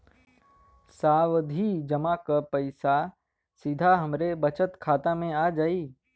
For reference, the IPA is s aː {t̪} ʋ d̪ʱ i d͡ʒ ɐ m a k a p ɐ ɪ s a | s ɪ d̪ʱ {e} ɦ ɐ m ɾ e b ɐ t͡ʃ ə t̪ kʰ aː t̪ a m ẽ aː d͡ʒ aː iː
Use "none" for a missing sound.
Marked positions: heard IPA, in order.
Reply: none, a

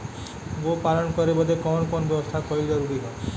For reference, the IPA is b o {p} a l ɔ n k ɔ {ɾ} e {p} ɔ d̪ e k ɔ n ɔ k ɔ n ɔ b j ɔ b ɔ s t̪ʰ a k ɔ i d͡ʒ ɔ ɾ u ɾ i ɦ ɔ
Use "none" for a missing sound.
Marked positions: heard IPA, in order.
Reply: p, ɾ, b

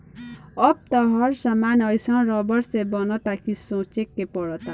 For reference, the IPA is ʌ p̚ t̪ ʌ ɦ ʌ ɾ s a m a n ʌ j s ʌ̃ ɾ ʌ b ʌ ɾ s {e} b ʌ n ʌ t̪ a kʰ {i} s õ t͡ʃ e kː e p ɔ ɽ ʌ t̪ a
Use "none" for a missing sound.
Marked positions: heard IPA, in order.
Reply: e, i

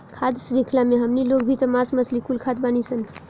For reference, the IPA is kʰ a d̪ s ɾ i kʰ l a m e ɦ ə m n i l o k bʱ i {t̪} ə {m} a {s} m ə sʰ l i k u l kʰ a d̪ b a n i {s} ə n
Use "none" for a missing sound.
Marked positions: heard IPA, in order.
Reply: t̪, m, s, s

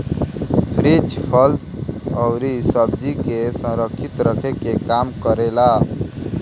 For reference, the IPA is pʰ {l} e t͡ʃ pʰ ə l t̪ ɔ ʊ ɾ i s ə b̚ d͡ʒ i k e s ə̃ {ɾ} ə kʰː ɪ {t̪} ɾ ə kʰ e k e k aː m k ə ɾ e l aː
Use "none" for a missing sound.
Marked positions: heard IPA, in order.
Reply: ɾ, ɾ, t̪

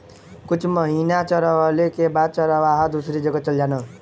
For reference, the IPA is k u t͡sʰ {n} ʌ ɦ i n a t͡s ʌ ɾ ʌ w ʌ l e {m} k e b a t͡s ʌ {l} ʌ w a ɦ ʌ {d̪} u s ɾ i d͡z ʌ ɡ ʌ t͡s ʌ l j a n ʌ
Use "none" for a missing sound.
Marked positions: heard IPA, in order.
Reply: m, none, ɾ, d̪

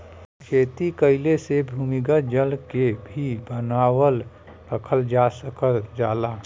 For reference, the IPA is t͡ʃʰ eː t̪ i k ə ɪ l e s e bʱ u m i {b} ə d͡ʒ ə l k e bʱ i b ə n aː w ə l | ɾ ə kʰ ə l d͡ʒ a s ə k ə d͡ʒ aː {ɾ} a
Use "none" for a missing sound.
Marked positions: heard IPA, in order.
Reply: ɡ, l

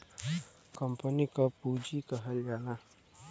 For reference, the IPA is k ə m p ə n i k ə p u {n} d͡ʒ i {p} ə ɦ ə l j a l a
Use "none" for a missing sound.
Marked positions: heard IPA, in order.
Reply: none, k

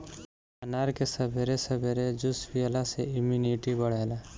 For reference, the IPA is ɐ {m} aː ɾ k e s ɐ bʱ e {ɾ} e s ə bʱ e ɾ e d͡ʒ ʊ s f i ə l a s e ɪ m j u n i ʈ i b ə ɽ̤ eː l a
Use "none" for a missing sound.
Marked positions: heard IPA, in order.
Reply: n, ɾ

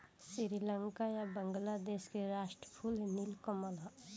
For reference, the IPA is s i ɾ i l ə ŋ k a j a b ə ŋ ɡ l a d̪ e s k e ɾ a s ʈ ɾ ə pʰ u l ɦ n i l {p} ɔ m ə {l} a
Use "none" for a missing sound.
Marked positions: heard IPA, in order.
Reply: k, l

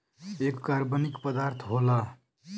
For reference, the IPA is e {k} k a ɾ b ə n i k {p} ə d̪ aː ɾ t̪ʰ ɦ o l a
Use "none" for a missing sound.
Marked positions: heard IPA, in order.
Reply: k, p

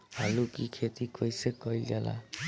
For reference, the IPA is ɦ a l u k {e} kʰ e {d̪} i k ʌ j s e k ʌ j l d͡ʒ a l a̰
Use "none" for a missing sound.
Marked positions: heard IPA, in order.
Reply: i, t̪

